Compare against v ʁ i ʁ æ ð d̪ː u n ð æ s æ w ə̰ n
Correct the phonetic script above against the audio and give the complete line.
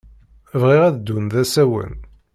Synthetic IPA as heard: v ʁ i ʁ æ ð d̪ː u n ð æ s æ w ə̰ n

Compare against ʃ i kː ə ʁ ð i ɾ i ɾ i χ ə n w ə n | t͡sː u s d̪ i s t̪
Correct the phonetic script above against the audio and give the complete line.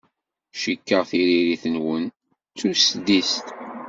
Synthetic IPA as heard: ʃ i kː ə ʁ θ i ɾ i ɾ i θ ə n w ə n | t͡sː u s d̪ i s t̪

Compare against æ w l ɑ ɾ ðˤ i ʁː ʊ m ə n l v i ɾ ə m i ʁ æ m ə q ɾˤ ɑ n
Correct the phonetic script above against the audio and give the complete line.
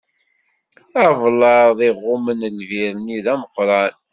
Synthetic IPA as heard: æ v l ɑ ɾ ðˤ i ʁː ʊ m ə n l v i ɾ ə n i ð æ m ə q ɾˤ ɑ n

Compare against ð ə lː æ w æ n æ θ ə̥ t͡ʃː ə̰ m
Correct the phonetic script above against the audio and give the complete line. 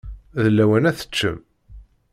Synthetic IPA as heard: ð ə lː æ w æ n æ θ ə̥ t͡ʃː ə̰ m

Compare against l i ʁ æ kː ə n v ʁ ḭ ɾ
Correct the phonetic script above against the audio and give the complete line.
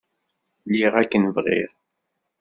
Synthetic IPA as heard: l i ʁ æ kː ə n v ʁ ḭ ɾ

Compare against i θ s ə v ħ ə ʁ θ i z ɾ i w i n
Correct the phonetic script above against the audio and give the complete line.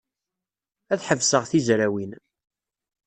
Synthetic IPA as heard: æ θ ħ ə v s ə ʁ θ i z ɾ æ w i n

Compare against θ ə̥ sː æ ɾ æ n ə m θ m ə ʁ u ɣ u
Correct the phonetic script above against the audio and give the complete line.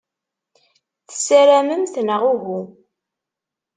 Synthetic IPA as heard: θ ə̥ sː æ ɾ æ m ə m θ n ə ʁ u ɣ u

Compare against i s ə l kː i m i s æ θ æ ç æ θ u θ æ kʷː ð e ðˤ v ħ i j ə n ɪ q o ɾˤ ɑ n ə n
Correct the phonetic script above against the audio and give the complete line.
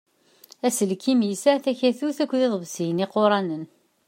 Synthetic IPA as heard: æ s ə l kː i m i s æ θ æ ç æ θ u θ æ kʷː ð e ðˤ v s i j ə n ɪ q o ɾˤ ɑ n ə n

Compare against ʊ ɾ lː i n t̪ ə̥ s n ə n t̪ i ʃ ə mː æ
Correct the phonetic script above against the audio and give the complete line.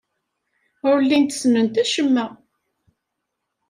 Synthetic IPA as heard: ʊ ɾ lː i n t̪ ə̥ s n ə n t̪ æ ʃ ə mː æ

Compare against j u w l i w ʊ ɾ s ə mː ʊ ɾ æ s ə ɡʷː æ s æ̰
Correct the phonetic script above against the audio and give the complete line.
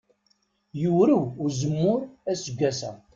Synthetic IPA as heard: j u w ɾ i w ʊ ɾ z ə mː ʊ ɾ æ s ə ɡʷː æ s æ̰

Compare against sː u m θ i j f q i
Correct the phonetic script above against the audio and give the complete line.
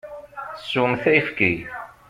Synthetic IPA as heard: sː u m θ æ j f k i

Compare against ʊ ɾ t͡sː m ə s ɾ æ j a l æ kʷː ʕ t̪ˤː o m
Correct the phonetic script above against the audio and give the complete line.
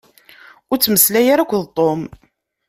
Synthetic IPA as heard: ʊ ɾ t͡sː m ə s l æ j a ɾ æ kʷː ð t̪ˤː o m

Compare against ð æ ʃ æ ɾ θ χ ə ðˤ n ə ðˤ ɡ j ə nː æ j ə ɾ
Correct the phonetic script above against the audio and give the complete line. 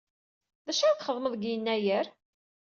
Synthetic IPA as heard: ð æ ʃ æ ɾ θ χ ə ðˤ m ə ðˤ ɡ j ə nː æ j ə ɾ

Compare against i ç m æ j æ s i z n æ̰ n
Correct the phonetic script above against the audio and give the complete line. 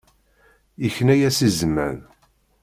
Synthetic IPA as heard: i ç n æ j æ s i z m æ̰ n

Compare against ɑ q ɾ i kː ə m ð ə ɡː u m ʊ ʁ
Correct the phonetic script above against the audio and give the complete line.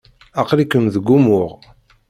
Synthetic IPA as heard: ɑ q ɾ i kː ə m ð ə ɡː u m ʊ ʁ

